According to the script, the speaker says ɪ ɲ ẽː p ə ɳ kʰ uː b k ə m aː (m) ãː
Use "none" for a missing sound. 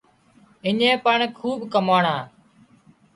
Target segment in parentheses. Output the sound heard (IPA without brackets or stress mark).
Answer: ɳ